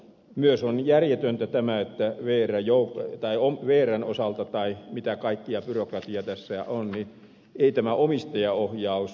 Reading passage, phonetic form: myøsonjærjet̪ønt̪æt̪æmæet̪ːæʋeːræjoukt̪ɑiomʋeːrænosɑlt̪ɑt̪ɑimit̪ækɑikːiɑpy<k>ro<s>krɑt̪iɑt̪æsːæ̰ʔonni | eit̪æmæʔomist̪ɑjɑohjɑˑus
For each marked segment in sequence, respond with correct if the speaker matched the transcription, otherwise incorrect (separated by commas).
incorrect, incorrect